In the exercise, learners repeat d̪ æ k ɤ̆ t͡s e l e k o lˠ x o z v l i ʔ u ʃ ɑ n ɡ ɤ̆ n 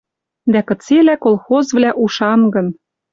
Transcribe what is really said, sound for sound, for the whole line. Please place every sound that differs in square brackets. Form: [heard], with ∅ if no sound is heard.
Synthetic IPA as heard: d̪ æ k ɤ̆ t͡s e l [æ] k o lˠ x o z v l [æ] ʔ u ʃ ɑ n ɡ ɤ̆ n